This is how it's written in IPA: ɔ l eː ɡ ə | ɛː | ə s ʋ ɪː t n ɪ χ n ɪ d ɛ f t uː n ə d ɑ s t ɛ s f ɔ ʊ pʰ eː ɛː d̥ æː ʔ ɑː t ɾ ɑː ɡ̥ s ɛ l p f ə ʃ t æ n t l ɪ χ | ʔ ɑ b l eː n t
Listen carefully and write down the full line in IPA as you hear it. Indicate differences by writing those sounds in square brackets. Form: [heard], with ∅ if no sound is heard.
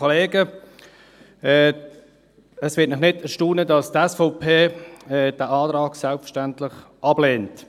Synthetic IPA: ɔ l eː ɡ ə | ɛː | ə s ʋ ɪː t n ɪ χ n ɪ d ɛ [ʃ] t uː n ə d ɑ s t ɛ s f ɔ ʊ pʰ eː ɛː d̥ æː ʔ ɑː t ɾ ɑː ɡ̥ s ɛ l p f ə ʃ t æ n t l ɪ χ | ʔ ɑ b l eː n t

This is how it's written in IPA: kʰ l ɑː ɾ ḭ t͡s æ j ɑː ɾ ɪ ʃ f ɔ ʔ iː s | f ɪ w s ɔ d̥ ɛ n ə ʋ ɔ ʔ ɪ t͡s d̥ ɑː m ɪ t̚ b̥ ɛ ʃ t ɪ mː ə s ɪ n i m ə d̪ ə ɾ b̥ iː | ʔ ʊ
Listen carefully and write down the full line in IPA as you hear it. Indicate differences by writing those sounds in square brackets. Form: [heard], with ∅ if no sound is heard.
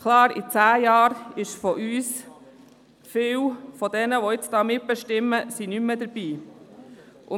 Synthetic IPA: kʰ l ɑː ɾ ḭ t͡s [æː] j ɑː ɾ ɪ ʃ f ɔ ʔ [yː] s | f ɪ w [f] ɔ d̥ ɛ n ə ʋ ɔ [∅] ɪ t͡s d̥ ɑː m ɪ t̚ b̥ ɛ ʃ t ɪ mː ə s [i] n [y] m ə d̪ ə ɾ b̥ iː | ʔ ʊ

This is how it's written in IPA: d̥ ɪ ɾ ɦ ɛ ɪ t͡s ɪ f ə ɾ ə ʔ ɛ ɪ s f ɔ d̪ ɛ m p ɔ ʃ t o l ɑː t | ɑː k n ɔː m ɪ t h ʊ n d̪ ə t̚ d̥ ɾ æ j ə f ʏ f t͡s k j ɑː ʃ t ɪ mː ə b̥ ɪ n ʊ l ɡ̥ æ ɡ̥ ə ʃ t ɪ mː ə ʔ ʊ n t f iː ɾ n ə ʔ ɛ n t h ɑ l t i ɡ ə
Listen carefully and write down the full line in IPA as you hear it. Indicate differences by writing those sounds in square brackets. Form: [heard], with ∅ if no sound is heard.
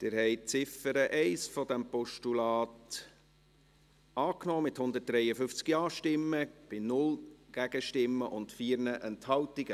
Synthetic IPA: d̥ ɪ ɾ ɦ ɛ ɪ t͡s ɪ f ə ɾ ə ʔ ɛ ɪ s f ɔ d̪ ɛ m p ɔ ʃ t [u] l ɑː t | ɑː k n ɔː m ɪ t h ʊ n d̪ ə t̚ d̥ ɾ [ɛ] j ə f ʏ f t͡s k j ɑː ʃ t ɪ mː ə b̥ ɪ n ʊ l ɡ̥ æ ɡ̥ ə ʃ t ɪ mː ə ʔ ʊ n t f iː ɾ n ə ʔ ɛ n t h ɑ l t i ɡ ə

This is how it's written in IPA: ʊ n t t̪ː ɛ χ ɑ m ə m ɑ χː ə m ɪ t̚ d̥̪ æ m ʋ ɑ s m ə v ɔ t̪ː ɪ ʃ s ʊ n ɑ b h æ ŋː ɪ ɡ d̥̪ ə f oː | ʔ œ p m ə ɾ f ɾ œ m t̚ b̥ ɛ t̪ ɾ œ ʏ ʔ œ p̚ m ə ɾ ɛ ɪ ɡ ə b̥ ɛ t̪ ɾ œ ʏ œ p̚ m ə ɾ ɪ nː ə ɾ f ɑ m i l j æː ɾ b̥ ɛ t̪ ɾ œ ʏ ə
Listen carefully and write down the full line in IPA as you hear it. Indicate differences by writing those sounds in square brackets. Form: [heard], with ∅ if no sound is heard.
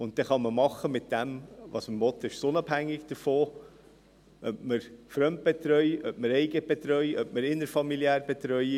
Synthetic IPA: ʊ n t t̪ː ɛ χ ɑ m ə m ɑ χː ə m ɪ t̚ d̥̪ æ m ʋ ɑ s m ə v ɔ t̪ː ɪ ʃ s ʊ n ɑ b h æ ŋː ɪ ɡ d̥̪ ə f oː | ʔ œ p m ə ɾ f ɾ œ m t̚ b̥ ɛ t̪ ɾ œ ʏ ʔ œ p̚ m ə ɾ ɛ ɪ ɡ ə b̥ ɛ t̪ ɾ œ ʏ œ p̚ m ə ɾ ɪ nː ə ɾ f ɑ m i l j æː ɾ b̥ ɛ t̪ ɾ œ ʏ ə

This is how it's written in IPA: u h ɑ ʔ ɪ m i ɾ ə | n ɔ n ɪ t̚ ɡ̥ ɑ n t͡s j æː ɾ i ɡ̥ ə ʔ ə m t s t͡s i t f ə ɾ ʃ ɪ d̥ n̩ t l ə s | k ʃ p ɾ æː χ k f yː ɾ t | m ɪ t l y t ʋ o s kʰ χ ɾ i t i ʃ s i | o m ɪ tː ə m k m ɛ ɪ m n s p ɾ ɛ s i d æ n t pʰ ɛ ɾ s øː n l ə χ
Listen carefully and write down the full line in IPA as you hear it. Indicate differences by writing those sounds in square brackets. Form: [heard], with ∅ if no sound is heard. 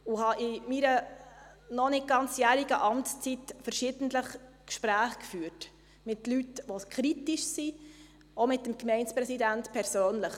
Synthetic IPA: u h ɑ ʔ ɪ m i ɾ ə | n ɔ n ɪ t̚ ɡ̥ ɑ n t͡s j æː ɾ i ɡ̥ ə ʔ [ɑ] m t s t͡s i t f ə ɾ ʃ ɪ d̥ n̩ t l ə [χ] | k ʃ p ɾ æː χ k f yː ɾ t | m ɪ t l y t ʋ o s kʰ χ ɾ i t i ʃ s i | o m ɪ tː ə m k m ɛ ɪ [∅] n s p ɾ ɛ s i d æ n t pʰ ɛ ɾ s øː n l ə χ

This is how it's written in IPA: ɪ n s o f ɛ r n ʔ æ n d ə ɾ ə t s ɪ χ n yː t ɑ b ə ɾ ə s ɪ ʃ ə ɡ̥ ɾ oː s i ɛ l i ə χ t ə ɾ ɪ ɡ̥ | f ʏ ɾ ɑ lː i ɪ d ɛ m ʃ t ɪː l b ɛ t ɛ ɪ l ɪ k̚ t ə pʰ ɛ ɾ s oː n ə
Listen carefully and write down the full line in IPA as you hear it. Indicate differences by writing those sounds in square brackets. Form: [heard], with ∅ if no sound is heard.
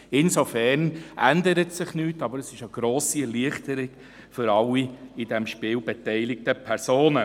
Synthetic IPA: ɪ n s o f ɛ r n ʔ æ n d ə ɾ ə t s ɪ χ n yː t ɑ b ə ɾ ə s ɪ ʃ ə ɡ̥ ɾ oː s i ɛ l i ə χ t ə ɾ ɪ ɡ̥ | f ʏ ɾ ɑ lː i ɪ d ɛ m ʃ [p] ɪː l b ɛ t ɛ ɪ l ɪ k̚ t ə pʰ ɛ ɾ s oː n ə

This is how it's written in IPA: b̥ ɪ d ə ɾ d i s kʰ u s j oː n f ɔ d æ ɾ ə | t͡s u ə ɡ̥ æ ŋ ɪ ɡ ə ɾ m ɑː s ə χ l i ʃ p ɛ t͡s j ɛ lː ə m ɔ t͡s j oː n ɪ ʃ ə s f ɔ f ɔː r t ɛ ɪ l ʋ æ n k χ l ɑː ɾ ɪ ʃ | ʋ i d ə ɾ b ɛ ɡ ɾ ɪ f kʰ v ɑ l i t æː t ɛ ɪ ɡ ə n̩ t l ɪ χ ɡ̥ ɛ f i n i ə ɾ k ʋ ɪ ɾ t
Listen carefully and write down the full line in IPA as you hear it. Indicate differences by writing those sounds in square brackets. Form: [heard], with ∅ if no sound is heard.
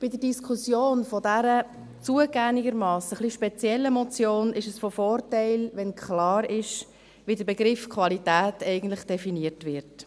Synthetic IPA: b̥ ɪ d ə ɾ d i s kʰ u s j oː n f ɔ d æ ɾ ə | t͡s u ə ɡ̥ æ ŋ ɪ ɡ ə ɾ m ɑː s ə χ l i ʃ p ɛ t͡s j ɛ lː ə m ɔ t͡s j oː n ɪ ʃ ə s f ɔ f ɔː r t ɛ ɪ l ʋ [ɛ] n k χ l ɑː ɾ ɪ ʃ | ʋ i d ə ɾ b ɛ ɡ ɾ ɪ f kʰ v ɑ l i t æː t ɛ ɪ ɡ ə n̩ t l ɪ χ [d̥] ɛ f i n i ə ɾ [t] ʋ ɪ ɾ t

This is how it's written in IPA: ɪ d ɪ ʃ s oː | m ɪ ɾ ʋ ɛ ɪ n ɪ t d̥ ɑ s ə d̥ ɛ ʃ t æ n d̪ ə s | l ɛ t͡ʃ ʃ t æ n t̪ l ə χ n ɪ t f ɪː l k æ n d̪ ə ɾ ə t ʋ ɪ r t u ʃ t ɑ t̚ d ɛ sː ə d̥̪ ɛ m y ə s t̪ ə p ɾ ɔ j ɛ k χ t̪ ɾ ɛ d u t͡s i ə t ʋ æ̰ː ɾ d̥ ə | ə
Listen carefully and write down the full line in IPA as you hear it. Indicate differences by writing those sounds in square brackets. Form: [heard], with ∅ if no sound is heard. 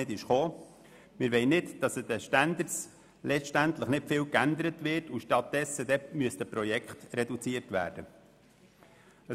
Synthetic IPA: ɪ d ɪ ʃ [χ] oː | m ɪ ɾ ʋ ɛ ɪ n ɪ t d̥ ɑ s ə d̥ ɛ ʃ t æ n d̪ ə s | l ɛ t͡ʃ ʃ t æ n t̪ l ə χ n ɪ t f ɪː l k æ n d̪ ə ɾ ə t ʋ ɪ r t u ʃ t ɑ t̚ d ɛ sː ə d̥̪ ɛ m y ə s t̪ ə p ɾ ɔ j ɛ k χ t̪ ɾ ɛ d u t͡s i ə t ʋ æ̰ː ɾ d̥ ə | ə

